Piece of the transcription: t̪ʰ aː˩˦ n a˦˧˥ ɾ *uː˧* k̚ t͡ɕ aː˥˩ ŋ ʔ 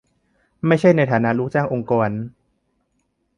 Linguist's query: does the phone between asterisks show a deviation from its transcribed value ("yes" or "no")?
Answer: yes